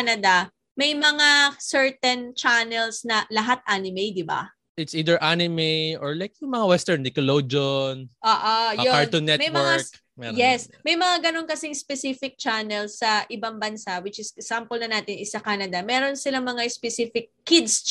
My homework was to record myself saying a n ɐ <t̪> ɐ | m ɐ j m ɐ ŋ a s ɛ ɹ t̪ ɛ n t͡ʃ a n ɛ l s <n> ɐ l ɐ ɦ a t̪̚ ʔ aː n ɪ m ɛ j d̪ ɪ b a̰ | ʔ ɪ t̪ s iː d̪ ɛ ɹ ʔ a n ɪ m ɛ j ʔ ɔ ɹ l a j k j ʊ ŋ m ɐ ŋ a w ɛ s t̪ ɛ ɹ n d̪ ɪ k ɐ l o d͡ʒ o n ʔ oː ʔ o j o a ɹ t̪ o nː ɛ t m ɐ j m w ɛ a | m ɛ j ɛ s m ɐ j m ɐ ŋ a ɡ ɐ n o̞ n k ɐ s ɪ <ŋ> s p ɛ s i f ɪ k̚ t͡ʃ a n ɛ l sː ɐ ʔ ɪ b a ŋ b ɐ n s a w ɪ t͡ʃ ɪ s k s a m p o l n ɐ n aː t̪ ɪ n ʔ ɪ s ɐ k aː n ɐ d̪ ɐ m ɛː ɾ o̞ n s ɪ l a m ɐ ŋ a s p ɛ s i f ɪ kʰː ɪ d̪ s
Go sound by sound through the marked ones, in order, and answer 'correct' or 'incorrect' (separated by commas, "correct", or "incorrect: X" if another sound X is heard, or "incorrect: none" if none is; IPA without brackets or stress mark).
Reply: incorrect: d̪, correct, correct